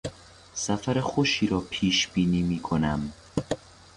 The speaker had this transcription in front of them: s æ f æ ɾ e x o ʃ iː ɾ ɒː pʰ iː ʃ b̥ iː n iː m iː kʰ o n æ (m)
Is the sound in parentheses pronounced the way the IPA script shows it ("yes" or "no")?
yes